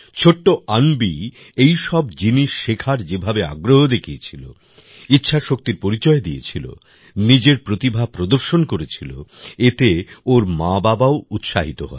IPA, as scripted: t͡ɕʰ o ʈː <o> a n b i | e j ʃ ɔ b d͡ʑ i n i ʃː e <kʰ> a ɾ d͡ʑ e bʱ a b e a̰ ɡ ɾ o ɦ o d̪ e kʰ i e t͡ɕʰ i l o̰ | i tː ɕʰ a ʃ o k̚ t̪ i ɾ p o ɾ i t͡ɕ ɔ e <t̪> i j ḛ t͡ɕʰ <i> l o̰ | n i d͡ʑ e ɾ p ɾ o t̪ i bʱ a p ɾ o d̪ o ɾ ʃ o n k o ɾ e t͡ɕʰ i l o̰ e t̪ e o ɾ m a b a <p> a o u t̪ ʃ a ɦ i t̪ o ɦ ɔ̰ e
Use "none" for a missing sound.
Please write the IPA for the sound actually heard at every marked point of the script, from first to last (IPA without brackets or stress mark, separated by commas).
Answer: o, kʰ, d̪, i, b